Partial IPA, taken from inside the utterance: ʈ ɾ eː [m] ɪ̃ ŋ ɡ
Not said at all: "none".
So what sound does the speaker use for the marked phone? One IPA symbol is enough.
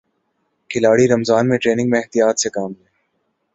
n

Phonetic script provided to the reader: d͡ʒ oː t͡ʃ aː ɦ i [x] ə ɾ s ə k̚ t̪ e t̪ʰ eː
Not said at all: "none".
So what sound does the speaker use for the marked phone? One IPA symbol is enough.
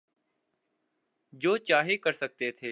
k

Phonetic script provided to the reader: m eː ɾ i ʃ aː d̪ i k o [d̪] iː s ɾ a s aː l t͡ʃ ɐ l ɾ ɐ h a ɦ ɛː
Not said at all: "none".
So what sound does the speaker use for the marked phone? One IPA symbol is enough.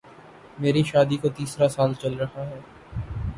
t̪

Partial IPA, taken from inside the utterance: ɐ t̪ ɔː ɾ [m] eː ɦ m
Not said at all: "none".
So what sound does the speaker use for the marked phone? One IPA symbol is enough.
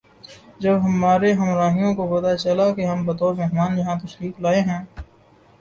m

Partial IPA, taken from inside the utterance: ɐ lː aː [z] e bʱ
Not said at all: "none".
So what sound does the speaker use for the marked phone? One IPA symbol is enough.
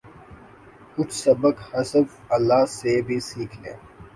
s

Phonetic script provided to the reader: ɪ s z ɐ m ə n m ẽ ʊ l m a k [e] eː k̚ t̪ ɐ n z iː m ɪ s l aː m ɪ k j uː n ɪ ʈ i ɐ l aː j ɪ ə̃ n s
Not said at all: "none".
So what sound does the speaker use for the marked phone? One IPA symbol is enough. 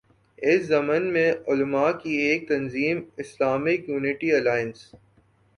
i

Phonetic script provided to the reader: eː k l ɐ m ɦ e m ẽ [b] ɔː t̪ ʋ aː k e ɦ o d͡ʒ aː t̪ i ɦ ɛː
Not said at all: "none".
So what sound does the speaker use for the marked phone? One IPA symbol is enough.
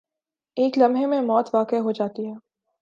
m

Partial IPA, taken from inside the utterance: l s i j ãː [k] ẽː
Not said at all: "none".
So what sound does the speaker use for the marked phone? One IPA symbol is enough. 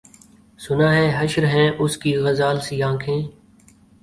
kʰ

